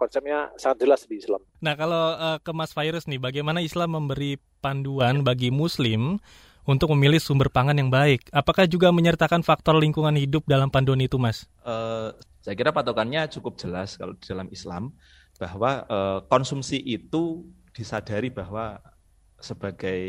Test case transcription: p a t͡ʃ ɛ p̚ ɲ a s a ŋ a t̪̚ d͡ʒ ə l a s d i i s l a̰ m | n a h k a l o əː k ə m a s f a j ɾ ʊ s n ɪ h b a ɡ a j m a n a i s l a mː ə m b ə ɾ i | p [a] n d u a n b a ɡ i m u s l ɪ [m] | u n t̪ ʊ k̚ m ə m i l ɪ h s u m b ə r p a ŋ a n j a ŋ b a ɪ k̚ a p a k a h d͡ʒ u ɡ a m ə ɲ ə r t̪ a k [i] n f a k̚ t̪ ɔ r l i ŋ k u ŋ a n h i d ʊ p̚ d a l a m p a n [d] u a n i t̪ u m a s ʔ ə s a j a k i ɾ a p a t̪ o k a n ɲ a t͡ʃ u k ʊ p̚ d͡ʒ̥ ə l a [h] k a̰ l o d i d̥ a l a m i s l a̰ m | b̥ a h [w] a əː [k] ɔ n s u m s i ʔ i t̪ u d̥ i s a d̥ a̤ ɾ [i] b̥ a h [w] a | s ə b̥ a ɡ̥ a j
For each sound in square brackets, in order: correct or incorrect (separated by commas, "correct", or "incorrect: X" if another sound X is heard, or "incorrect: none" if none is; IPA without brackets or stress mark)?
correct, correct, incorrect: a, correct, incorrect: s, correct, correct, correct, correct